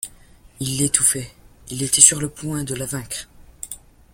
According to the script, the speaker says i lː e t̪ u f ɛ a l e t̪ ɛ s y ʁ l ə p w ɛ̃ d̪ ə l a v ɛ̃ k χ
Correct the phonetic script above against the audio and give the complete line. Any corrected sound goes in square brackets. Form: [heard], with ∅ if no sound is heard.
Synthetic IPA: i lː e t̪ u f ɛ [i] l e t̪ ɛ s y ʁ l ə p w ɛ̃ d̪ ə l a v ɛ̃ k χ